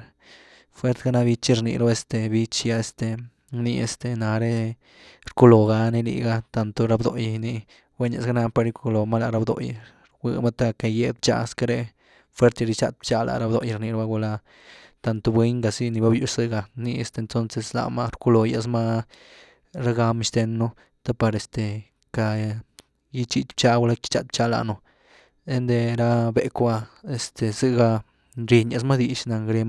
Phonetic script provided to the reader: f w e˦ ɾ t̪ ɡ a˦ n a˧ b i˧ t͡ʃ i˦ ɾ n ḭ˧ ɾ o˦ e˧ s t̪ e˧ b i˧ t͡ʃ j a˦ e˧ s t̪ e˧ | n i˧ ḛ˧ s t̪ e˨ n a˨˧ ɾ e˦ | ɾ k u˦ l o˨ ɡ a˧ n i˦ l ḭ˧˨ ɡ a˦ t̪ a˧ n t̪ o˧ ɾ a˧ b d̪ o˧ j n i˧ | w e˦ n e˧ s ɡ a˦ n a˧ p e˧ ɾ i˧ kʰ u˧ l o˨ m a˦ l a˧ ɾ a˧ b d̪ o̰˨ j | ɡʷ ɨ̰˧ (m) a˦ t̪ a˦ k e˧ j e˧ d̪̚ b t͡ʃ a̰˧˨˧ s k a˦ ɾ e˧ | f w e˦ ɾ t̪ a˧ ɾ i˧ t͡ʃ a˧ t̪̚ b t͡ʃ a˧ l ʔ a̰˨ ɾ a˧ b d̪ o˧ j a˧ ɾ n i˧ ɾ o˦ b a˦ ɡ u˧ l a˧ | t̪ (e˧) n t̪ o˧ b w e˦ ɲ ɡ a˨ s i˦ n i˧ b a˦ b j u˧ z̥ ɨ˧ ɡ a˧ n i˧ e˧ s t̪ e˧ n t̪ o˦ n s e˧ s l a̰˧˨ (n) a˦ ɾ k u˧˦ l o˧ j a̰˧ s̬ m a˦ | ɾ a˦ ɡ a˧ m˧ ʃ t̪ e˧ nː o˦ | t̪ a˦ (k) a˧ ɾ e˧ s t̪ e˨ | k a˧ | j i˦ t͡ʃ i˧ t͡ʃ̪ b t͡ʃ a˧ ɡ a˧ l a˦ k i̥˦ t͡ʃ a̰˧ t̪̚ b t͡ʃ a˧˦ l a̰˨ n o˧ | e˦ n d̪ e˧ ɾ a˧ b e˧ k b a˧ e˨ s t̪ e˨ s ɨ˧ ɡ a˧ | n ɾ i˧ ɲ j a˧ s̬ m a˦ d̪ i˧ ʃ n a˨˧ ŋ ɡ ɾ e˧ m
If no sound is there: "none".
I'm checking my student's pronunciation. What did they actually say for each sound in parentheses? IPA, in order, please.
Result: m, a˧, m, p

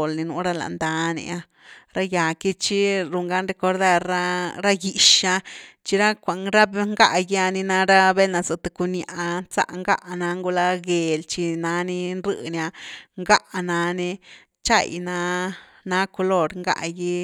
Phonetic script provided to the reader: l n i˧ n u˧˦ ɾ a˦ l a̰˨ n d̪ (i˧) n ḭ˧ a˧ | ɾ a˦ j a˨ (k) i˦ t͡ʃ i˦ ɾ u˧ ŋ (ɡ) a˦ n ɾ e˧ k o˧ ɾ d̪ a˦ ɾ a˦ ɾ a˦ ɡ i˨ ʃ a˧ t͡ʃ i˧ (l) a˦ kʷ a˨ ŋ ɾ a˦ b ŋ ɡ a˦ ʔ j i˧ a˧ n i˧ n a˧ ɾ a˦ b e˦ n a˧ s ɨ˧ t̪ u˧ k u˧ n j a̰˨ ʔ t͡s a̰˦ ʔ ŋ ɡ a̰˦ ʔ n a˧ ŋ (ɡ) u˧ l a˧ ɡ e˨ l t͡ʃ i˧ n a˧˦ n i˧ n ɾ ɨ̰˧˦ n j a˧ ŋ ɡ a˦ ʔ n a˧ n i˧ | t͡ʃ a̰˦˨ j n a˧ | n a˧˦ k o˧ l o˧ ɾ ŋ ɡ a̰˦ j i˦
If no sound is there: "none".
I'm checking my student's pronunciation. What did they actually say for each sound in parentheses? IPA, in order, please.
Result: a˧, k, ɡ, ɾ, ɡ

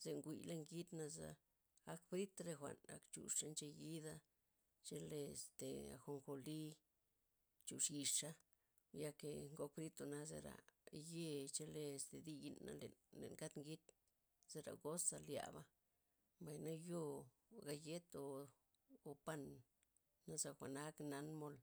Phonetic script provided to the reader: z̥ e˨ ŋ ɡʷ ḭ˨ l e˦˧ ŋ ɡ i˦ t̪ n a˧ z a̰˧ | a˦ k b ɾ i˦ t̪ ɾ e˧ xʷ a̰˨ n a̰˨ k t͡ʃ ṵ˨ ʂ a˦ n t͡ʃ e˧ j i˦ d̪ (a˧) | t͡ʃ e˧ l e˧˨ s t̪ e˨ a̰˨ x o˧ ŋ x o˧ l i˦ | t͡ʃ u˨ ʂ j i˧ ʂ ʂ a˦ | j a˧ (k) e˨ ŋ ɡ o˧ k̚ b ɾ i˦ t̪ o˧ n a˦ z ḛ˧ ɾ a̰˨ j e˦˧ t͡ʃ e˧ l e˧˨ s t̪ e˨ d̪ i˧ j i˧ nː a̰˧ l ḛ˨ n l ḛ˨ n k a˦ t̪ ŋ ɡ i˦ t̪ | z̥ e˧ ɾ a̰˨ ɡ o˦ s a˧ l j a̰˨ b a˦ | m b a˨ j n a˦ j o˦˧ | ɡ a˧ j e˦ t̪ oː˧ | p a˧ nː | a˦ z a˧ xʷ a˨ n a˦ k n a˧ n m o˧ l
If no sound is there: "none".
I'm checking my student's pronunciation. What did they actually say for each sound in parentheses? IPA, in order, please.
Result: a˧, k

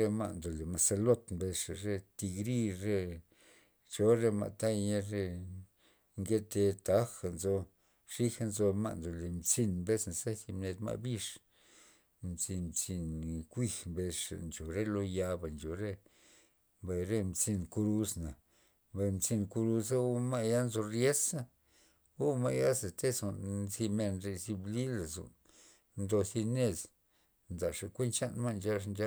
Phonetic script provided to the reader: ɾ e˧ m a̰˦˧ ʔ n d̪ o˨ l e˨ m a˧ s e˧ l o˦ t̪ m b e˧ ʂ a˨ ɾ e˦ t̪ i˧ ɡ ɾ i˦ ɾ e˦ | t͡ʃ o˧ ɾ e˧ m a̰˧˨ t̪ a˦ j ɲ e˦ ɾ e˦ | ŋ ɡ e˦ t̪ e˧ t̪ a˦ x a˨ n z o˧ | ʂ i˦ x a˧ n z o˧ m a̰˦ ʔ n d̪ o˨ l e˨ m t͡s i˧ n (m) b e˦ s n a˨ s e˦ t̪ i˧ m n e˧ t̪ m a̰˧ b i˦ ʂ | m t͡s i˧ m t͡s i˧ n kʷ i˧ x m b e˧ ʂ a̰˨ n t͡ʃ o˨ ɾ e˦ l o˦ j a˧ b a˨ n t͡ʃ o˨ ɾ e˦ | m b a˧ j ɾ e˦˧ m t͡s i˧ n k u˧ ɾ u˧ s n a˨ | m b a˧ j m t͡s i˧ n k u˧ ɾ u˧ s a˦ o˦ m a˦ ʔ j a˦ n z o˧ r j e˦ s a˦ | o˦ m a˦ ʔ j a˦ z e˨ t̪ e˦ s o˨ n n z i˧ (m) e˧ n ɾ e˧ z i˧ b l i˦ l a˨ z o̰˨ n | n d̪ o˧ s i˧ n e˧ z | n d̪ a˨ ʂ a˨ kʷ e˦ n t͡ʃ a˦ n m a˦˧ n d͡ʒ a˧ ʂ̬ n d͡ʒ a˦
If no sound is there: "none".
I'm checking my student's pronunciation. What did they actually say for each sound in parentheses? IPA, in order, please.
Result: m, m

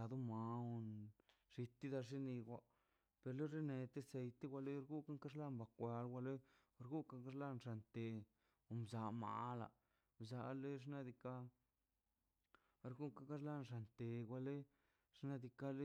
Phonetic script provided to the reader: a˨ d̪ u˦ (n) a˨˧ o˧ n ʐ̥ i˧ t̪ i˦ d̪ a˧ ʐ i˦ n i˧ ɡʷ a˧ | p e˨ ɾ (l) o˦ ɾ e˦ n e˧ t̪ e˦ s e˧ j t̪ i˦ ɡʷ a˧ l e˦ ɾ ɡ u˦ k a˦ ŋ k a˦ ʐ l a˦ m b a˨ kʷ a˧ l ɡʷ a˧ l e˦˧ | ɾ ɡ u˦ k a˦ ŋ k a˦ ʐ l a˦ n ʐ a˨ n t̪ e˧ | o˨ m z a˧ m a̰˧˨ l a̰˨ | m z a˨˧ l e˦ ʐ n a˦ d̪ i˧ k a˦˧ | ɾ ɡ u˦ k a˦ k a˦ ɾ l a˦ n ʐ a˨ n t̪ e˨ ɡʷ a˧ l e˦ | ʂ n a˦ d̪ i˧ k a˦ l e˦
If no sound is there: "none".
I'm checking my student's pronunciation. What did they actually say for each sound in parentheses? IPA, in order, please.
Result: m, l

